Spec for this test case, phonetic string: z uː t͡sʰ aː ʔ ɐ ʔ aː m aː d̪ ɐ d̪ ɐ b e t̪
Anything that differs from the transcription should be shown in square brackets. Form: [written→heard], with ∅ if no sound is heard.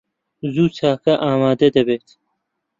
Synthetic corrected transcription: z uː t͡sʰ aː [ʔ→k] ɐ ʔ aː m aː d̪ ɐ d̪ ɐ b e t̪